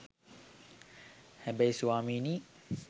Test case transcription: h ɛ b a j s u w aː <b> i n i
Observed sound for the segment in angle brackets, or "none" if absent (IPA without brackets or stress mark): m